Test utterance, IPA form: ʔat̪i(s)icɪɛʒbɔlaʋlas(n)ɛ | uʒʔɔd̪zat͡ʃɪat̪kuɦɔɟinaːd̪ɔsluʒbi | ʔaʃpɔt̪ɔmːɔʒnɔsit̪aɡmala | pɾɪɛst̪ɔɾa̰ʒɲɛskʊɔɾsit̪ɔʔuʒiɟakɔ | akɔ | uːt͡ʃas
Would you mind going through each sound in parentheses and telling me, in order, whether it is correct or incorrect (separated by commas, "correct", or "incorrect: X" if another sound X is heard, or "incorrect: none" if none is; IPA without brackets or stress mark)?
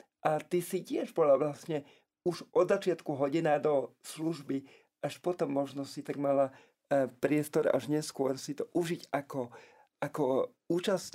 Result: correct, incorrect: ɲ